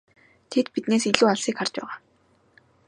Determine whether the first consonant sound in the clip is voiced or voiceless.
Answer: voiceless